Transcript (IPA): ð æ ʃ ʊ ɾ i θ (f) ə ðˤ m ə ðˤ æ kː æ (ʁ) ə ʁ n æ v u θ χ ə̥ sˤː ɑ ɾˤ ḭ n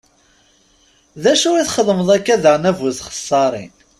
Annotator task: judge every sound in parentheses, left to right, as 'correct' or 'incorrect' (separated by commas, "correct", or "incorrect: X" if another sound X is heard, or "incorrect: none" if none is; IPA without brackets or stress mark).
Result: incorrect: χ, incorrect: ð